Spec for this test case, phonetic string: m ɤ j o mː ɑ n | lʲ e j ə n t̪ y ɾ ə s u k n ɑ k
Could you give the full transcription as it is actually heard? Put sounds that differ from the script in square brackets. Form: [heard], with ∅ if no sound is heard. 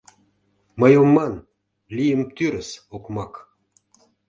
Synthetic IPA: m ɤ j o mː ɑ n | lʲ [i] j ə [m] t̪ y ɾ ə s [o] k [m] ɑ k